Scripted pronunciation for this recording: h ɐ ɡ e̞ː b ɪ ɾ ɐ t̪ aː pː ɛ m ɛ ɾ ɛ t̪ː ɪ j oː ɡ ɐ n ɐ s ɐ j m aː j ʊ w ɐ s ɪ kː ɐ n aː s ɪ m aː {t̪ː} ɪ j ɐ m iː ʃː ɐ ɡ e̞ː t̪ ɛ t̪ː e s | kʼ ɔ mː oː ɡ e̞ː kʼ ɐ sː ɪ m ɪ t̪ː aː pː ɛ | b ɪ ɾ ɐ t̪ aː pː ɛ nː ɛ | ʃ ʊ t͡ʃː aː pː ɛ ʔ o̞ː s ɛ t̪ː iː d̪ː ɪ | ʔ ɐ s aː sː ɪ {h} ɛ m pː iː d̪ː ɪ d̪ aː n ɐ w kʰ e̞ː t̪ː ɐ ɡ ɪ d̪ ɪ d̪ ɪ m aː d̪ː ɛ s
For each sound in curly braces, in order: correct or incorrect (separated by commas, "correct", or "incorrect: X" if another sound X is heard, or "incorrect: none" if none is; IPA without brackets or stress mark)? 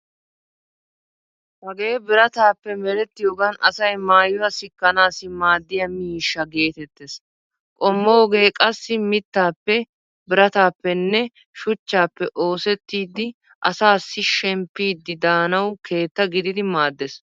incorrect: d̪ː, incorrect: ʃ